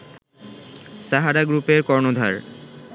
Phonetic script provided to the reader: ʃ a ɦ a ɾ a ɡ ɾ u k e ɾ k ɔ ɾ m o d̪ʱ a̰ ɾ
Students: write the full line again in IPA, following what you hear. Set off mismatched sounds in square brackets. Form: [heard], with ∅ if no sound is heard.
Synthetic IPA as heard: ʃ a ɦ a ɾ a ɡ ɾ u [p] e ɾ k ɔ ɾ [n] o d̪ʱ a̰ ɾ